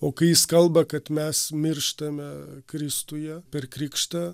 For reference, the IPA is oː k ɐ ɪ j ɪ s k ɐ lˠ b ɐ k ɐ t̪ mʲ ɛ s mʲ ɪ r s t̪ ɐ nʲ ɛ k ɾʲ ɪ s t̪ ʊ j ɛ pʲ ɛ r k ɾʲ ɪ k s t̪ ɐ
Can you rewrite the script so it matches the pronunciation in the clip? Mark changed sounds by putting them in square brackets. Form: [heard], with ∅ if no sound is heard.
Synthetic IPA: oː k ɐ ɪ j ɪ s k ɐ lˠ b ɐ k ɐ t̪ mʲ ɛ s mʲ ɪ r [ʃ] t̪ ɐ [mʲ] ɛ k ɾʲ ɪ s t̪ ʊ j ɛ pʲ ɛ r k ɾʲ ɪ k [ʃ] t̪ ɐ